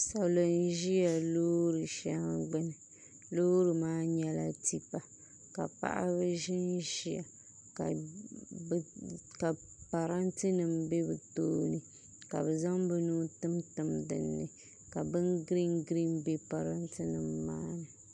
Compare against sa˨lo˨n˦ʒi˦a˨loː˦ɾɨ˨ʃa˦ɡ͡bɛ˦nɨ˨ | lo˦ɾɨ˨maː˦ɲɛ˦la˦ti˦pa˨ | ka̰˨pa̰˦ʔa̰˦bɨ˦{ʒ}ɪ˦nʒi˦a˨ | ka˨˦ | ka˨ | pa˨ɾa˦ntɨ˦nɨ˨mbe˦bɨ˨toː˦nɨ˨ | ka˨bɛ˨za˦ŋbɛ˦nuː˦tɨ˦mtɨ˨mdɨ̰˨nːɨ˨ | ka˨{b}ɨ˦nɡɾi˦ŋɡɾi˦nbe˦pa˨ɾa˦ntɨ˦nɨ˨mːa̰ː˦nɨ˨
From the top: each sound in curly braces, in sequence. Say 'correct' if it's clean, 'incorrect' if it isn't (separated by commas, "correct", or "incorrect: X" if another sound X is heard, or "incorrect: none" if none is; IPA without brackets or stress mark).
correct, correct